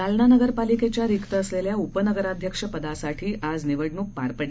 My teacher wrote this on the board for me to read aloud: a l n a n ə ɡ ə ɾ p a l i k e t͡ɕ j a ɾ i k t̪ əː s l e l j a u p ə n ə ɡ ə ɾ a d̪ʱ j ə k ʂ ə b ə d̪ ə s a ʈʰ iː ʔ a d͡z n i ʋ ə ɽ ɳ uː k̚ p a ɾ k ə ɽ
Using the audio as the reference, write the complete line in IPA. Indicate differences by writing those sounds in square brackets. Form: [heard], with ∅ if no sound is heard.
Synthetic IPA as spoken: a l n a n ə ɡ ə ɾ p a l i k e t͡ɕ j a ɾ i k t̪ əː s l e l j a u p ə n ə ɡ ə ɾ a d̪ʱ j ə k ʂ ə [p] ə d̪ [a] s a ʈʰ iː ʔ a d͡z n i ʋ ə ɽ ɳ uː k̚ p a ɾ [p] ə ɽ